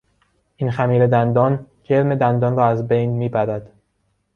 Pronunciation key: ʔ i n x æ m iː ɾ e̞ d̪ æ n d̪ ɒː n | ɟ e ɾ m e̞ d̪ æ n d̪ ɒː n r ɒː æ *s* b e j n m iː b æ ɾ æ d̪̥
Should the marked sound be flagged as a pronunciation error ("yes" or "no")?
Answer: yes